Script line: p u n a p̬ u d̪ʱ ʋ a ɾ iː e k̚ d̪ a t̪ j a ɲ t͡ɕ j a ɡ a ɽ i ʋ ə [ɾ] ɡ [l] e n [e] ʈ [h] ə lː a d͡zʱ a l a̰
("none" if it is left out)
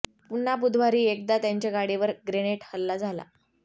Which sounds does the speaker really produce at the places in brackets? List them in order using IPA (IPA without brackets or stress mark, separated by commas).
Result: ɾ, ɾ, e, h